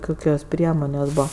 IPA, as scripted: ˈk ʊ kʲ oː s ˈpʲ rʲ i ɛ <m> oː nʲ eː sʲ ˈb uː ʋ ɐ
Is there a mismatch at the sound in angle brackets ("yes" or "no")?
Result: no